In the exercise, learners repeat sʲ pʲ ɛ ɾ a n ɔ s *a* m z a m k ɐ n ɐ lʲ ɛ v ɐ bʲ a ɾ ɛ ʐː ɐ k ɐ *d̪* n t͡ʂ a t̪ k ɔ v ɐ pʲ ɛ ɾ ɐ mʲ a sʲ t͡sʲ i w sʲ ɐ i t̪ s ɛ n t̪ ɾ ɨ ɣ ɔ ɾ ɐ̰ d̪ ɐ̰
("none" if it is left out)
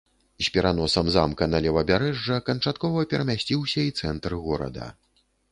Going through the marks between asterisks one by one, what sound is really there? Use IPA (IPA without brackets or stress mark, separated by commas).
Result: ɐ, none